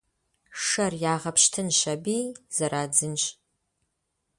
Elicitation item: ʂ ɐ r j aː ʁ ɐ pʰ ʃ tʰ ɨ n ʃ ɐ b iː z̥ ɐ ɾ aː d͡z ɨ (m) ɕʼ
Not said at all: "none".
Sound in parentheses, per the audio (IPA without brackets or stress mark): n